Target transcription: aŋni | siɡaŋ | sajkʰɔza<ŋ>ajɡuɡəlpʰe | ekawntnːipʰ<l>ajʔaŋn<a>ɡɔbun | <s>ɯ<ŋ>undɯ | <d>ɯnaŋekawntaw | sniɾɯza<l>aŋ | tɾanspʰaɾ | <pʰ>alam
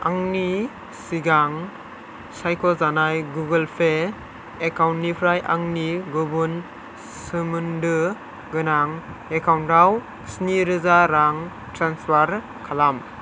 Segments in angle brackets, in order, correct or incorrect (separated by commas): incorrect, incorrect, incorrect, correct, incorrect, incorrect, incorrect, incorrect